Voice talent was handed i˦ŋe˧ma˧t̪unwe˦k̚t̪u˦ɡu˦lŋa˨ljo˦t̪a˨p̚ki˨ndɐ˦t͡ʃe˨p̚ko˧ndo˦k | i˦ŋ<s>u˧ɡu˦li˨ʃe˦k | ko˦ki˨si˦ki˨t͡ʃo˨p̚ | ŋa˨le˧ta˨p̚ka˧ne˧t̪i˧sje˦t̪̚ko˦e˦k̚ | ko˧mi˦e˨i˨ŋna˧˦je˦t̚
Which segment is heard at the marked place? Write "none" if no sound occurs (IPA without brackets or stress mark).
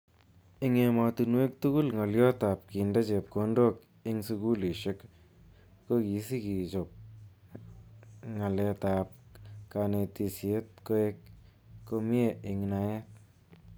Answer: s